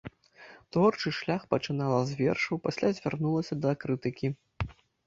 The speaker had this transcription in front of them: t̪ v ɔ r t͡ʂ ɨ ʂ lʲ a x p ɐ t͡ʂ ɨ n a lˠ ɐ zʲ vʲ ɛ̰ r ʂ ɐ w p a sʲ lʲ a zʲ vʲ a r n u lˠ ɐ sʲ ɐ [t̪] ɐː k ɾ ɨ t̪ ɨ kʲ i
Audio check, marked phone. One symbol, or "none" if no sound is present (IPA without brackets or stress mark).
d̪